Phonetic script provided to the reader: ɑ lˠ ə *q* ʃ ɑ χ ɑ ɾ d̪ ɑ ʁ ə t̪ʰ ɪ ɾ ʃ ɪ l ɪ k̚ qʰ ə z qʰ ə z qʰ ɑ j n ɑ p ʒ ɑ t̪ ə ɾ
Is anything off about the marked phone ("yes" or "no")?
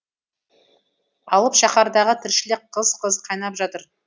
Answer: yes